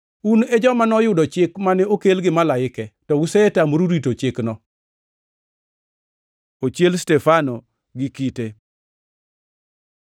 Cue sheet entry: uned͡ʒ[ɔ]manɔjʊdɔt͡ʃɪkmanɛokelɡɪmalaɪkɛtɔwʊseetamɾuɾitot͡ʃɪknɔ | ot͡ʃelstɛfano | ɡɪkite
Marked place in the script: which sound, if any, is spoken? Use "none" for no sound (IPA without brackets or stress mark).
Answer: ɔ